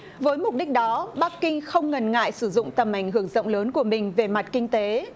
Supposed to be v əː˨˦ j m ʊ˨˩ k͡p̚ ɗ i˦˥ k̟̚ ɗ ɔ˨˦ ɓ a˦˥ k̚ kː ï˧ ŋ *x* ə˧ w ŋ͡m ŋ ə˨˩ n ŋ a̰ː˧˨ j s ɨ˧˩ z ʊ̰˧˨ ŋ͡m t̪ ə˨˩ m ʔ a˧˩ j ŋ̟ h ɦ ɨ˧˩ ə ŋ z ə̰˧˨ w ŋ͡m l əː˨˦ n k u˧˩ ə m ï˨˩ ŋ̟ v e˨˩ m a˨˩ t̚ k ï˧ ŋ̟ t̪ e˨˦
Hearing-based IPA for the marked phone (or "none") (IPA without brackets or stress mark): x